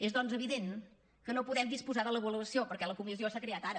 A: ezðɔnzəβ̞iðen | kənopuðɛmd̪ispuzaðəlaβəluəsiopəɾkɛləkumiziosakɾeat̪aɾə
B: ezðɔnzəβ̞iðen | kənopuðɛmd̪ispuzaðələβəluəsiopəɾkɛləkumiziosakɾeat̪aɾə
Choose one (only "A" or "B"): B